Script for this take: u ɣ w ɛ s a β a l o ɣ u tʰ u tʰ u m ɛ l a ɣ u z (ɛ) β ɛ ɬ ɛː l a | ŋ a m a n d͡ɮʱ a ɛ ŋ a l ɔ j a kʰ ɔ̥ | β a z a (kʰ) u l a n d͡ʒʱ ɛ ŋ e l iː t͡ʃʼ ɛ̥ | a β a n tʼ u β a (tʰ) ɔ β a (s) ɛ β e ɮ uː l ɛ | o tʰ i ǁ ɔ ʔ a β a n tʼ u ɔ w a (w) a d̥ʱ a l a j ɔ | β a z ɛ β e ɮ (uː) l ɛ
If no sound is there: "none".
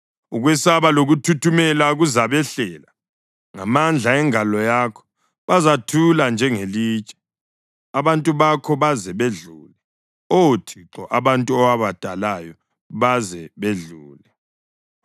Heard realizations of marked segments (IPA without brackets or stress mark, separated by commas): a, tʰ, kʰ, z, β, uː